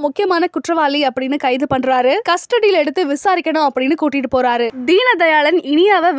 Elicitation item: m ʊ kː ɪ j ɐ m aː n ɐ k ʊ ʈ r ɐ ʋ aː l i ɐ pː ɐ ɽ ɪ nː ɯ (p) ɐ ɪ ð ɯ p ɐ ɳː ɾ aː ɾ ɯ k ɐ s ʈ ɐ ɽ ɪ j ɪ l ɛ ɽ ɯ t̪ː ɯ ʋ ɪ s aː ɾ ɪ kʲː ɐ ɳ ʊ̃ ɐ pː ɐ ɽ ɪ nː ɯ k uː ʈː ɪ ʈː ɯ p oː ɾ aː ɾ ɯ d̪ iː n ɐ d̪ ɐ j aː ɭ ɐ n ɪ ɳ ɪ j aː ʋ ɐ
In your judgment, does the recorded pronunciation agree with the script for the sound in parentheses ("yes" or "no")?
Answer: no